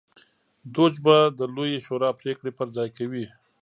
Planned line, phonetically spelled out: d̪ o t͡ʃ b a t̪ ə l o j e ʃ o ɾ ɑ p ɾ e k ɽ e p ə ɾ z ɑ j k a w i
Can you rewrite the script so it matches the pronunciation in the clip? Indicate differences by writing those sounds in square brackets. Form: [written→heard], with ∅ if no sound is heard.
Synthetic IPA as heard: d̪ o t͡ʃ b a [t̪→d̪] ə l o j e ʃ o ɾ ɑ p ɾ e k ɽ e p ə ɾ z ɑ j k a w i